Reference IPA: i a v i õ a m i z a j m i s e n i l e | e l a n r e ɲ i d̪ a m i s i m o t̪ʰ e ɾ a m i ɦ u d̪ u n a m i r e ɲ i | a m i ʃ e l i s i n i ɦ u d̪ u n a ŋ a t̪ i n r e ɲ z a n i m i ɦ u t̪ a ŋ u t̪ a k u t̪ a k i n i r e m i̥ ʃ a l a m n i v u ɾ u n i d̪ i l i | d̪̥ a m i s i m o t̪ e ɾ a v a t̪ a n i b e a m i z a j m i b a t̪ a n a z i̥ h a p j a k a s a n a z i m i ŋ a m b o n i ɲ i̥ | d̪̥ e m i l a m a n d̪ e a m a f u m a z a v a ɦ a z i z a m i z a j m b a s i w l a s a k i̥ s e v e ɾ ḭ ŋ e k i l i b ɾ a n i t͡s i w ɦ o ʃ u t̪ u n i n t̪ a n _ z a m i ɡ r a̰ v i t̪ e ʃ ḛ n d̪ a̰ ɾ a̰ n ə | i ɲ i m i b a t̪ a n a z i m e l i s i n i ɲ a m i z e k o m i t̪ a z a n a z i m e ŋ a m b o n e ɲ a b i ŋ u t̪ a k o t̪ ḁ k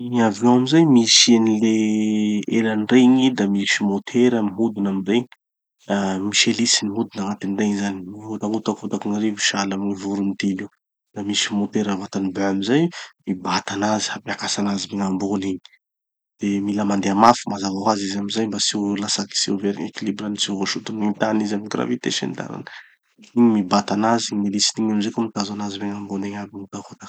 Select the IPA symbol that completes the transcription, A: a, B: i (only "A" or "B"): B